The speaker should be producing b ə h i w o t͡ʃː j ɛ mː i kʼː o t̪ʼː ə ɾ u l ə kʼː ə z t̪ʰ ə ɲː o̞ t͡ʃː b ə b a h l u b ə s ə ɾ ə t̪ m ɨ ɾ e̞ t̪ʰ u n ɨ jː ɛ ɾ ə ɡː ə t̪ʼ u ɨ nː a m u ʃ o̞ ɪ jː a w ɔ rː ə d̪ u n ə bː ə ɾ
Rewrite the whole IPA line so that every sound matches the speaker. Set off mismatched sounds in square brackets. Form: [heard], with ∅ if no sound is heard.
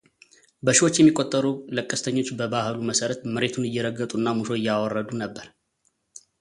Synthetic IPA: b ə [ʃ] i w o t͡ʃː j ɛ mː i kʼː o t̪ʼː ə ɾ u l ə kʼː ə [s] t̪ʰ ə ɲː o̞ t͡ʃː b ə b a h l u [m] ə s ə ɾ ə t̪ m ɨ ɾ e̞ t̪ʰ u n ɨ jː ɛ ɾ ə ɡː ə t̪ʼ u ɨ nː a m u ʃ o̞ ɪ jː a w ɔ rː ə d̪ u n ə bː ə ɾ